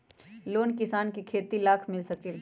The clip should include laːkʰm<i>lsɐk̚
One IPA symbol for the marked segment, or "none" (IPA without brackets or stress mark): ɪ